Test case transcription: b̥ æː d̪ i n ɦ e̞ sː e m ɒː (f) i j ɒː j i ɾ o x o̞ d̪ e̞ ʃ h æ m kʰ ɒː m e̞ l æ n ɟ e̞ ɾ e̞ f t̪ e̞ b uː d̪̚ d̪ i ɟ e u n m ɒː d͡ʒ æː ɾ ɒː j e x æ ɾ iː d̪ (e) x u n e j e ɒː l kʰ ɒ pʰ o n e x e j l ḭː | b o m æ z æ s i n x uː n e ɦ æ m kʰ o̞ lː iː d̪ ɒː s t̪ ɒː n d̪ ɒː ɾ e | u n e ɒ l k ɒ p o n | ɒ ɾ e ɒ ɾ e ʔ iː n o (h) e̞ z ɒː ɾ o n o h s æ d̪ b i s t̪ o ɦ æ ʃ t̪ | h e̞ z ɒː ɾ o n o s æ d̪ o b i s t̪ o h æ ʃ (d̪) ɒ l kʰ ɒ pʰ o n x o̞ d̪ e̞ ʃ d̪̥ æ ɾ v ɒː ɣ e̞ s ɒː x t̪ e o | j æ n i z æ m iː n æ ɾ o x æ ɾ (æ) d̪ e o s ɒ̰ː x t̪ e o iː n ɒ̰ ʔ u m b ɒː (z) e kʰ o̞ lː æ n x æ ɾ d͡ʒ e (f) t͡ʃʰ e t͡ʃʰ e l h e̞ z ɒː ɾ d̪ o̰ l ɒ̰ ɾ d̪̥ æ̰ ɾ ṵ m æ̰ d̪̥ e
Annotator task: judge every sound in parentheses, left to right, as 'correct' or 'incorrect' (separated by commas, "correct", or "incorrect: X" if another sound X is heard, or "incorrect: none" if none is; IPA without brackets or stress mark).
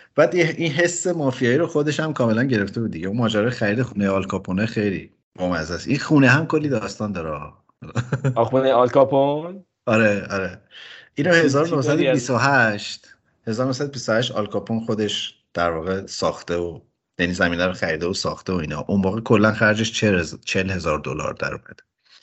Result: correct, correct, correct, incorrect: t̪, incorrect: i, incorrect: ɣ, incorrect: ʃ